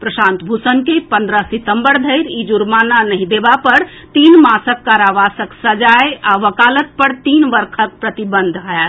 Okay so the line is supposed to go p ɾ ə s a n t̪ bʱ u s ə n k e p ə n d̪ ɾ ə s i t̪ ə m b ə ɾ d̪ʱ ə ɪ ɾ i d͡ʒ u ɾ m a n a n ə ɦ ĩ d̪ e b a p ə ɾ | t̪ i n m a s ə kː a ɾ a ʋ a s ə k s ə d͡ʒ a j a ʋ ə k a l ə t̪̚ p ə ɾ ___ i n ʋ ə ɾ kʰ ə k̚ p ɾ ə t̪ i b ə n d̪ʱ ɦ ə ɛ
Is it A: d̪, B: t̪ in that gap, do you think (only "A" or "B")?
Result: B